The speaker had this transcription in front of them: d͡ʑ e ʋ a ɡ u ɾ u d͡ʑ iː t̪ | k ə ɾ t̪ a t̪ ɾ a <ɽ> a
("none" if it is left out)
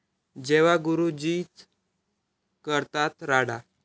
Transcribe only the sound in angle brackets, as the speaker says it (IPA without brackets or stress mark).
ɽ